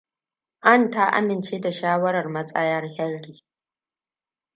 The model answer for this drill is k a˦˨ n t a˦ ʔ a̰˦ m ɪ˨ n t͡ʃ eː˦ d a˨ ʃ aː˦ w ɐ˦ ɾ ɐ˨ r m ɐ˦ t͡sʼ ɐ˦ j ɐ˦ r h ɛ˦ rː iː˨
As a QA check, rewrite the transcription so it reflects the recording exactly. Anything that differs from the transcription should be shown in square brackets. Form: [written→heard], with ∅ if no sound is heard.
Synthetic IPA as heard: [k→ʔ] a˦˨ n t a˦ ʔ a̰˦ m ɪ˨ n t͡ʃ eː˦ d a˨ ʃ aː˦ w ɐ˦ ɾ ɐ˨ r m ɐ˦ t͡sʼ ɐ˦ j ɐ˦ r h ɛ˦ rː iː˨